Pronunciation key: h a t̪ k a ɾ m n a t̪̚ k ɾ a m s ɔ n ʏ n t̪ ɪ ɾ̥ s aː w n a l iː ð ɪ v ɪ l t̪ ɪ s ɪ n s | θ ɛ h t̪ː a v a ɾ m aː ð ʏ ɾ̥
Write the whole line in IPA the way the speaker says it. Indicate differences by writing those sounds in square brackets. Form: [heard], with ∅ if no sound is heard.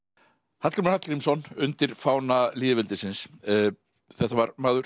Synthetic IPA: h a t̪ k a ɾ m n a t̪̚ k ɾ [i] m s ɔ n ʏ n t̪ ɪ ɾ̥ [f] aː w n a l iː ð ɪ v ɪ l t̪ ɪ s ɪ n s | θ ɛ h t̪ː a v a ɾ m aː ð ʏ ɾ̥